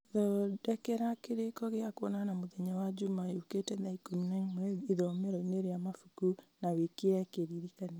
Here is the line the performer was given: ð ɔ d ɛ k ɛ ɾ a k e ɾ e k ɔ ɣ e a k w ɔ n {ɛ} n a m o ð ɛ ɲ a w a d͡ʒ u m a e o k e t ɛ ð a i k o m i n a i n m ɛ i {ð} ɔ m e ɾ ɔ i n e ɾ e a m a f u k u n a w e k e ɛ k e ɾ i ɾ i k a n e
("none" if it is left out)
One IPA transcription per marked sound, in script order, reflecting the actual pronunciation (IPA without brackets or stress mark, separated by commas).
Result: a, ð